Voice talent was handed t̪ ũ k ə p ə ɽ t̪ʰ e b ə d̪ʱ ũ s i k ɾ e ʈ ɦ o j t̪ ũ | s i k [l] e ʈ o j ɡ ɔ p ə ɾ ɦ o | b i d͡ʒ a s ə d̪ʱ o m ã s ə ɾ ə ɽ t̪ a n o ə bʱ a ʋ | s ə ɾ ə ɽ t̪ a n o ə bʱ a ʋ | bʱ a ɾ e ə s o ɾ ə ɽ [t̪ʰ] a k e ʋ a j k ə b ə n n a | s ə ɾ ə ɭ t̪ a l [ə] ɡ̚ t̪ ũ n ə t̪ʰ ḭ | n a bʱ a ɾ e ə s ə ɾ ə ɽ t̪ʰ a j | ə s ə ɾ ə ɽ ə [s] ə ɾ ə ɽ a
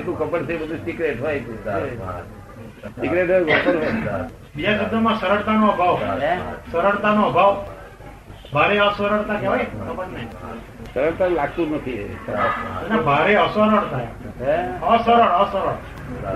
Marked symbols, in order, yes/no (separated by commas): no, no, no, yes